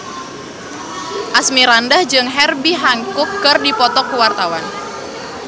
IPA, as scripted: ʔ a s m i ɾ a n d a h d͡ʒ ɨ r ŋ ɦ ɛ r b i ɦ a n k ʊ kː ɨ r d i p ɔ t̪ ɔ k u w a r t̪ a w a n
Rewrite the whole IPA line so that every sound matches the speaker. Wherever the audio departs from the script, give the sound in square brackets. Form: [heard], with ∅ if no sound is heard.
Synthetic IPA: ʔ a s m i ɾ a n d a h d͡ʒ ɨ [∅] ŋ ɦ ɛ r b i ɦ a [ŋ] k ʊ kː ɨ r d i p ɔ t̪ ɔ k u w a r t̪ a w a n

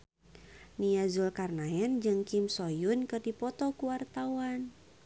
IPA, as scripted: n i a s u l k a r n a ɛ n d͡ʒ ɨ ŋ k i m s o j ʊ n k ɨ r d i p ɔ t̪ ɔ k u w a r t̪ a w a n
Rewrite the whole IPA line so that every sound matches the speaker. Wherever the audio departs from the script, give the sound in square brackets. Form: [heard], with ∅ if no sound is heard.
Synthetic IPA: n i a [z] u l k a r n a ɛ n d͡ʒ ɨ ŋ k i m s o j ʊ n k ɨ r d i p ɔ t̪ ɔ k u w a r t̪ a w a n

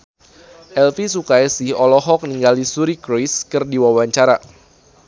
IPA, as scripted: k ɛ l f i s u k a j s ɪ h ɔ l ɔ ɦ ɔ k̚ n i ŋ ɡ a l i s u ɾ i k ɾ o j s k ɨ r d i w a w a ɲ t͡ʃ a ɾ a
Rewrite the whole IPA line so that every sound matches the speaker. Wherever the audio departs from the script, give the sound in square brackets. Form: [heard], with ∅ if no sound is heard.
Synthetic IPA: [ʔ] ɛ l f i s u k a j s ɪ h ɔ l ɔ ɦ ɔ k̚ n i ŋ ɡ a l i s u ɾ i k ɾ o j s k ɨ r d i w a w a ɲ t͡ʃ a ɾ a

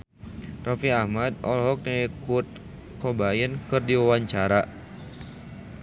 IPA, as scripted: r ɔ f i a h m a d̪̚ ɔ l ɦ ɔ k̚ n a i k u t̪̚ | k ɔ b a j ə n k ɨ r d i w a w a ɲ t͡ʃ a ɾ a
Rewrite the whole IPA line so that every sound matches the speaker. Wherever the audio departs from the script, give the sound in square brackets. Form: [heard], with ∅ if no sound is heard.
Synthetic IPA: r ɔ f i a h m a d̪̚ ɔ l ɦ ɔ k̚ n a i k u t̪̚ | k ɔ b a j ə n k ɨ r d i w a w a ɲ t͡ʃ a ɾ a

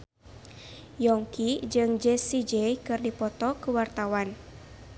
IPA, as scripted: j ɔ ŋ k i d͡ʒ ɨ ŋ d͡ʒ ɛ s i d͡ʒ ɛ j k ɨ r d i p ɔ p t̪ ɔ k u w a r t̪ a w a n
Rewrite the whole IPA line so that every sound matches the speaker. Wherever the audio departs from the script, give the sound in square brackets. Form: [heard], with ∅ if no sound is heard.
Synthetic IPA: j ɔ ŋ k i d͡ʒ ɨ ŋ d͡ʒ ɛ s i d͡ʒ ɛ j k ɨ r d i p ɔ [∅] t̪ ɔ k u w a r t̪ a w a n

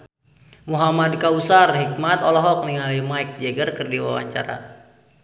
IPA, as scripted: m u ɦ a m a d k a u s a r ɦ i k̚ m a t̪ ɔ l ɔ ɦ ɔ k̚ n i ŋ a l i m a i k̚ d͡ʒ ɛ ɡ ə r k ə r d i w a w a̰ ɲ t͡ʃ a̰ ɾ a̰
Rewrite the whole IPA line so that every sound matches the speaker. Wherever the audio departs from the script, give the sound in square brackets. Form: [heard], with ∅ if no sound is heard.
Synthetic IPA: m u ɦ a m a d k a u s a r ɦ i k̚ m a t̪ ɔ l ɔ ɦ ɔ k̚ n i ŋ a l i m a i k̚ d͡ʒ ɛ ɡ ə r k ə r d i w a w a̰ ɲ t͡ʃ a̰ ɾ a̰

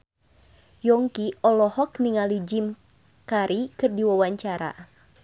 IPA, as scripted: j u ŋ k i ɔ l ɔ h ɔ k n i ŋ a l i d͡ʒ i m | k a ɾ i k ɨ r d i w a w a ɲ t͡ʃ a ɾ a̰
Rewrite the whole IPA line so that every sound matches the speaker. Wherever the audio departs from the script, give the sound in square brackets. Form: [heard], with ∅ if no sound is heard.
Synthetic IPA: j [ɔ] ŋ k i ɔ l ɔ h ɔ k n i ŋ a l i d͡ʒ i m | k a ɾ i k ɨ r d i w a w a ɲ t͡ʃ a ɾ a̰

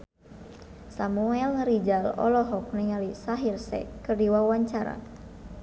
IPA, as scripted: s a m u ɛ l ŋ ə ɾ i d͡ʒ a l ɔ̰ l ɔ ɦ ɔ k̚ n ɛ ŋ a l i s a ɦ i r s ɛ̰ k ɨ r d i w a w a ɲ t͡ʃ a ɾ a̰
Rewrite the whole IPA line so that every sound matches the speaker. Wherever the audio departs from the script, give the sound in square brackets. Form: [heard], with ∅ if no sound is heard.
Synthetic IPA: s a m u ɛ l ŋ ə ɾ i d͡ʒ a l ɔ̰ l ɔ ɦ ɔ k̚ n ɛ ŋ a l i s a ɦ i r s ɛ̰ k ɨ r d i w a w a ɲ t͡ʃ a ɾ a̰

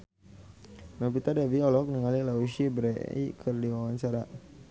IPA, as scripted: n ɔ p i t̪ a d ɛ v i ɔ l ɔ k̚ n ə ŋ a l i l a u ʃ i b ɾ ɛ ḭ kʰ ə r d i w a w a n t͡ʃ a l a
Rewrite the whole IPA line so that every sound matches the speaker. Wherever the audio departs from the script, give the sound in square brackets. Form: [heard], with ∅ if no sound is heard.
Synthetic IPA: n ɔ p i t̪ a d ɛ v i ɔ l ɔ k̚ n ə ŋ a l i l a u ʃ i b ɾ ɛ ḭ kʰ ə r d i w a w a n t͡ʃ a [ɾ] a

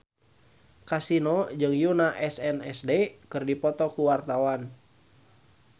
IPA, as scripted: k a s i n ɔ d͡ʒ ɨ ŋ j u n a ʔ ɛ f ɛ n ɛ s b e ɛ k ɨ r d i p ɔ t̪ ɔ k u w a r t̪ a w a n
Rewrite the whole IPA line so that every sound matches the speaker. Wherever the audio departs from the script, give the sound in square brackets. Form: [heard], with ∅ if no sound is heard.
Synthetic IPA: k a s i n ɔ d͡ʒ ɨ ŋ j u n a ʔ ɛ [s] ɛ n ɛ s [d] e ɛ k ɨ r d i p ɔ t̪ ɔ k u w a r t̪ a w a n

